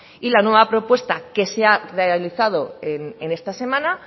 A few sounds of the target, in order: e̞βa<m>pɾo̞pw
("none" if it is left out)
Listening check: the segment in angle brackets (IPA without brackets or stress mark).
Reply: none